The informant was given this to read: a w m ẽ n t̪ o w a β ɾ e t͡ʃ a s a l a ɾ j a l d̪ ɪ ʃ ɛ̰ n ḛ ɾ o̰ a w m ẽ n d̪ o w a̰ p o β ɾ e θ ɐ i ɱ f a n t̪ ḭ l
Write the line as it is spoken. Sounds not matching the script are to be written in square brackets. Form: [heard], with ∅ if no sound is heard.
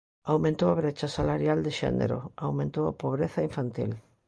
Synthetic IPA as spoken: a w m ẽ n t̪ o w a β ɾ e t͡ʃ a s a l a ɾ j a l d̪ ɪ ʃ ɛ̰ n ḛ ɾ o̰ a w m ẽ n [t̪] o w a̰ p o β ɾ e θ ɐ i ɱ f a n t̪ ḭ l